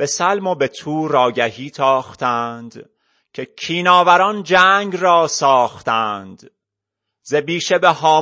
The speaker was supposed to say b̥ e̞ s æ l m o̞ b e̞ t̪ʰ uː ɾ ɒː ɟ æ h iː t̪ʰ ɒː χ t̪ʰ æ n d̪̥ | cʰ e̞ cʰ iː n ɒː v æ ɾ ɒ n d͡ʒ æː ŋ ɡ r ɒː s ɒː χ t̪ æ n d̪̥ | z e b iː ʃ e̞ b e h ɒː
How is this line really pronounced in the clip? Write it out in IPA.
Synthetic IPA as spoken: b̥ e̞ s æ l m o̞ b e̞ t̪ʰ uː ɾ ɒː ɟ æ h iː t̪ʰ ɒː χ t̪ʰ æ n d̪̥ | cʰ e̞ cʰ iː n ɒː v æ ɾ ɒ n d͡ʒ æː ŋ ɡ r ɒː s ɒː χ t̪ æ n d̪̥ | z e b iː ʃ e̞ b e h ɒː